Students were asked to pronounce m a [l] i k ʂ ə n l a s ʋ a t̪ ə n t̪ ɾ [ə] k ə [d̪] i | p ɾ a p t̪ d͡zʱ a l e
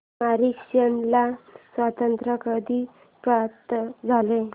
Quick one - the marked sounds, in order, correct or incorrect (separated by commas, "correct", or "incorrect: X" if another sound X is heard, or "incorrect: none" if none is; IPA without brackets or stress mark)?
incorrect: ɾ, correct, correct